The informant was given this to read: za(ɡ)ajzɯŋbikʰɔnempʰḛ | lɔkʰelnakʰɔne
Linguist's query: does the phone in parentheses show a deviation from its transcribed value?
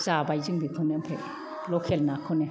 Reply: yes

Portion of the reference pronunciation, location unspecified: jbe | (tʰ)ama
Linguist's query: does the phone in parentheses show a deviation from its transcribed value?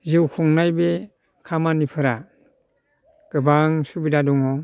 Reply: yes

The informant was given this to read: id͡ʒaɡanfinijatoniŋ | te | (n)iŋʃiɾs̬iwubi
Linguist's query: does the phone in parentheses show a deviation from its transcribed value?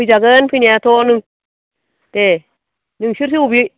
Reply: no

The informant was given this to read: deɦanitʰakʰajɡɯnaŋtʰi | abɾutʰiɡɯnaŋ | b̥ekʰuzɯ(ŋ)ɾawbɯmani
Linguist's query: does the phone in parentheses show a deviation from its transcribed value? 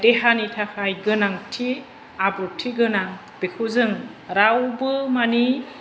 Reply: no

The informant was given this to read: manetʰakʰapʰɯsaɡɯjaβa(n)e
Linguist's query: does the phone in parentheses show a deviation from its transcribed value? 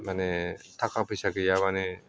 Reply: no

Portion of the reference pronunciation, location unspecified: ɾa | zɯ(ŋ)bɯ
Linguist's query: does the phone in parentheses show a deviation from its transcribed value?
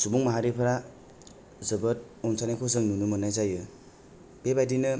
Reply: yes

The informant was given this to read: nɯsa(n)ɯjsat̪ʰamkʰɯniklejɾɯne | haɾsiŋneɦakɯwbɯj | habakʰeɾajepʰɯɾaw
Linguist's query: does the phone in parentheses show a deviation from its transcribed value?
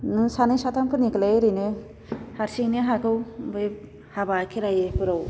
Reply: no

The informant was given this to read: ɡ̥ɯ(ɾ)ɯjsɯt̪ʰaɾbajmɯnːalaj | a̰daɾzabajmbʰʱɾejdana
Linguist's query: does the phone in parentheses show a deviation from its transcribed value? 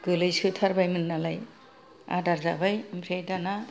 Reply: yes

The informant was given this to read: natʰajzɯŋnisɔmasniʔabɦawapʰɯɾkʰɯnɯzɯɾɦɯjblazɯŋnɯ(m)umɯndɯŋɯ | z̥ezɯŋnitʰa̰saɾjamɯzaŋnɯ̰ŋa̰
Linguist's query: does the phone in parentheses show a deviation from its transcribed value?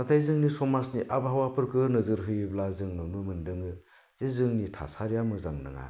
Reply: yes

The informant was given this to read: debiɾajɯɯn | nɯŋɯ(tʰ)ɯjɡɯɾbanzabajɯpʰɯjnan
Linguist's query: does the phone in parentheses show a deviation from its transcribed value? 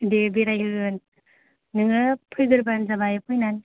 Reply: yes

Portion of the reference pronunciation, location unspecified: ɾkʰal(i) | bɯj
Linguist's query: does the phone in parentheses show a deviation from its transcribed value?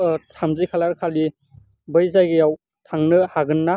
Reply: no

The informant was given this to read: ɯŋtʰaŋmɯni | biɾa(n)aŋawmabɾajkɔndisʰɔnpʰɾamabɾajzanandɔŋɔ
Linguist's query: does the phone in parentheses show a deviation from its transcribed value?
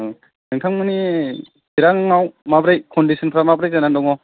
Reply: yes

